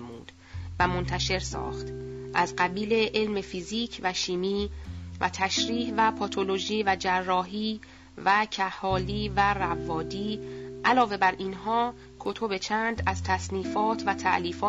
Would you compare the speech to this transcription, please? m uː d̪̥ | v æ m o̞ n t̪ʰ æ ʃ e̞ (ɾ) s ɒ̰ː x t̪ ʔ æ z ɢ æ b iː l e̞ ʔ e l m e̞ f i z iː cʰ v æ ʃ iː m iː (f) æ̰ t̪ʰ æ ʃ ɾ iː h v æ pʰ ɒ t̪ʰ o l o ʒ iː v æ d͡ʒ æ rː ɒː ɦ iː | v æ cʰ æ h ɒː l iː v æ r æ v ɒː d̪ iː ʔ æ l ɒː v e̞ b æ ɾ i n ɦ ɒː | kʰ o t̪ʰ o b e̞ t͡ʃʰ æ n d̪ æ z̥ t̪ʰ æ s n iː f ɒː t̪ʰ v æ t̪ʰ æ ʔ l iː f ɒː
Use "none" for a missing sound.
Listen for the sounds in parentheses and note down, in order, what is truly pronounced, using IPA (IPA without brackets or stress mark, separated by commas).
ɾ, v